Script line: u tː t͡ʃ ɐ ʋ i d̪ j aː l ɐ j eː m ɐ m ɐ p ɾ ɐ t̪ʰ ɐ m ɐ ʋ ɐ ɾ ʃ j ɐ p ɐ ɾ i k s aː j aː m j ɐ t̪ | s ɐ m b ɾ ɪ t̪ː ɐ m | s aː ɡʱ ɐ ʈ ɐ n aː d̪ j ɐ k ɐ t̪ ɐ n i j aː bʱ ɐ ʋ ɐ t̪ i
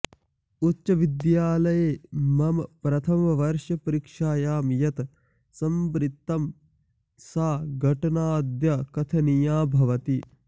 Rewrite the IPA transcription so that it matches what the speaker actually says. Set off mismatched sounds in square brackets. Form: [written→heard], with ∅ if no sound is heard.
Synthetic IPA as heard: u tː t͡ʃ ɐ ʋ i d̪ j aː l ɐ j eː m ɐ m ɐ p ɾ ɐ t̪ʰ ɐ m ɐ ʋ ɐ ɾ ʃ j ɐ p ɐ ɾ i k [s→ʂ] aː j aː m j ɐ t̪ | s ɐ m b ɾ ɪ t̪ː ɐ m | s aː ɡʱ ɐ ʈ ɐ n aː d̪ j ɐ k ɐ [t̪→t̪ʰ] ɐ n i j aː bʱ ɐ ʋ ɐ t̪ i